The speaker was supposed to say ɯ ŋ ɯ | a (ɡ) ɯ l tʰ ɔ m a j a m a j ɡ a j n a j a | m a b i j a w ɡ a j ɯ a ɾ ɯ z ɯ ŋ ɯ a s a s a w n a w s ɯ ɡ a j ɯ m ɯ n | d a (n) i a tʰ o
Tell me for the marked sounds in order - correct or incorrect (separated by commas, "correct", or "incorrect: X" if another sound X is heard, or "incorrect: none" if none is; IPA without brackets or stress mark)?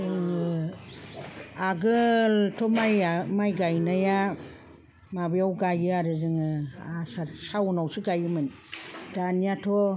correct, correct